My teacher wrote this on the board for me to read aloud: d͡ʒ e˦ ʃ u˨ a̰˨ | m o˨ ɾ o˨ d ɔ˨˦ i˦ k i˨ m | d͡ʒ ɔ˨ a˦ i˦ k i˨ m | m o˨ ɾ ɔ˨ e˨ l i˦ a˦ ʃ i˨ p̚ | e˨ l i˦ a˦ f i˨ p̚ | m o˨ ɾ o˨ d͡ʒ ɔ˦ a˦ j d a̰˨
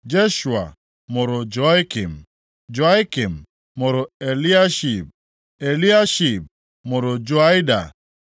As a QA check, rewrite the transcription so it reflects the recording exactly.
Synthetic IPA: d͡ʒ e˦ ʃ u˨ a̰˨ | m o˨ ɾ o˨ d͡ʒ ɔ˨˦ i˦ k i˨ m | d͡ʒ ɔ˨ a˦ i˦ k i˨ m | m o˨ ɾ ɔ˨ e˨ l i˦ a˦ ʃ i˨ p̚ | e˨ l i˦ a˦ ʃ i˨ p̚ | m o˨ ɾ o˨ d͡ʒ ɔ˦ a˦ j d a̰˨